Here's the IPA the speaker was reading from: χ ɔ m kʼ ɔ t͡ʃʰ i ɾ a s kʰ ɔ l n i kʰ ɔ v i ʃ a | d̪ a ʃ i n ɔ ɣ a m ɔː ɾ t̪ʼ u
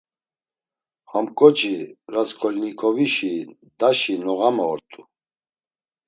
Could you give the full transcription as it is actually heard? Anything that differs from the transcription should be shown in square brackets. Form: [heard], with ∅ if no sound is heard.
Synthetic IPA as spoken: [h] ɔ m kʼ ɔ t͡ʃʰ i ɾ a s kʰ ɔ l n i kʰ ɔ v i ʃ [i] | d̪ a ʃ i n ɔ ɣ a m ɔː ɾ t̪ʼ u